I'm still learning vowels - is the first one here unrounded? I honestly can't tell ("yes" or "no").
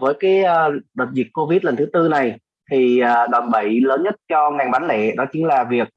yes